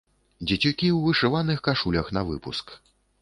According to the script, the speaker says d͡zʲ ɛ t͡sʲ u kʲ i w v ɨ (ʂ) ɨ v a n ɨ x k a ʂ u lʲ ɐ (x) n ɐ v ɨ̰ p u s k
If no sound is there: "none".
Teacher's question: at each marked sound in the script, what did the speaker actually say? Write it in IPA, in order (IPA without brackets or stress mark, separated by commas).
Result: ʂ, x